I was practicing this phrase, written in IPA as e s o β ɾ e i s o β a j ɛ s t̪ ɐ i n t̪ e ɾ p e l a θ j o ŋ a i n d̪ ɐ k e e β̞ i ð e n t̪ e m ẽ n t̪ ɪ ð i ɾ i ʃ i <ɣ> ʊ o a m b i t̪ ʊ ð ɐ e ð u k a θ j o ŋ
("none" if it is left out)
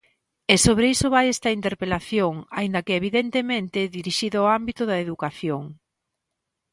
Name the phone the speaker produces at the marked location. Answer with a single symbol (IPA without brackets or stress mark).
ð